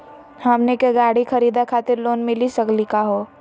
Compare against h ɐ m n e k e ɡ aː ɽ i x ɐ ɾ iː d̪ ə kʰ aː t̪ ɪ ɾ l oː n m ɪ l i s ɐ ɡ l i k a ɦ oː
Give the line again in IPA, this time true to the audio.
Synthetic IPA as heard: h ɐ m n e k e ɡ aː ɽ i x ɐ ɾ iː d̪ a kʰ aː t̪ ɪ ɾ l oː n m ɪ l i s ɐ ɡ l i k a ɦ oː